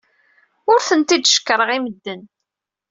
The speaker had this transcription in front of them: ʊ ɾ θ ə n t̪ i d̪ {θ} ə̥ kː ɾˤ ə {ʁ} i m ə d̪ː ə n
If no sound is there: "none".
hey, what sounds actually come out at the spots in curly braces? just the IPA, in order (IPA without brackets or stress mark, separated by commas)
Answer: ʃ, ʁ